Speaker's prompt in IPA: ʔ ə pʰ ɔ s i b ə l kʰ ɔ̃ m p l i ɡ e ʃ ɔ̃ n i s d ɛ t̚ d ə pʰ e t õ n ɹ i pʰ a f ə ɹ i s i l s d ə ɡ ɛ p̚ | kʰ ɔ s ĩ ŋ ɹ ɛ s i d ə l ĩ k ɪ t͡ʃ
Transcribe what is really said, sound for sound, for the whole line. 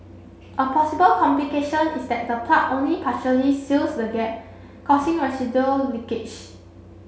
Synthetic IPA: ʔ ə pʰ ɔ s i b ə l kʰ ɔ̃ m p l i k e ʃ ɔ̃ n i s d ɛ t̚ d ə pʰ a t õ n l i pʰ a ʃ ə l i s i l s d ə ɡ ɛ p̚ | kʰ ɔ s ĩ ŋ ɹ ɛ s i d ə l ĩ k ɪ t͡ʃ